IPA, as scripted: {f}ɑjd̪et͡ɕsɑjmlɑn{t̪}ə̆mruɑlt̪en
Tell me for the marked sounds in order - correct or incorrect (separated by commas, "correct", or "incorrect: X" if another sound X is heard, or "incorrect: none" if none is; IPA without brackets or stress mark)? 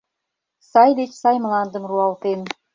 incorrect: s, incorrect: d̪